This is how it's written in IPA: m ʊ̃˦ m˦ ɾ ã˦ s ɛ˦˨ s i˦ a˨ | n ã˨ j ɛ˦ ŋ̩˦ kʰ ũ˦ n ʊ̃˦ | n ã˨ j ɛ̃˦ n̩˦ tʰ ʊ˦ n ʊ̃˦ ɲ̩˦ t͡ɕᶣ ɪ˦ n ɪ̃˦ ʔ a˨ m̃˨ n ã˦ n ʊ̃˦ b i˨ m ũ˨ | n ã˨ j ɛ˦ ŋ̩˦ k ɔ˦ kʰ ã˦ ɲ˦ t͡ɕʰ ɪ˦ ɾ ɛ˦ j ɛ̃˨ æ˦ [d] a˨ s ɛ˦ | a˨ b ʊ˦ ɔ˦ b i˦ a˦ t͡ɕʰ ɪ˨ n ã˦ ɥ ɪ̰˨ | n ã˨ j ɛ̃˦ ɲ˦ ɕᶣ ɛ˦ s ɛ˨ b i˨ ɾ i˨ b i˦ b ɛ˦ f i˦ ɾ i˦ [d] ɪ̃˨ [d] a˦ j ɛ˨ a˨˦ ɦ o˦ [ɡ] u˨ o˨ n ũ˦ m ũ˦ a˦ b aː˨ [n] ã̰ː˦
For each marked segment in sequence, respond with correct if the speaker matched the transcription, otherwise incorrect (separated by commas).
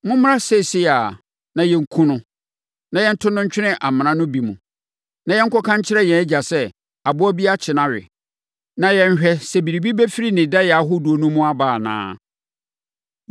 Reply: incorrect, incorrect, correct, incorrect, correct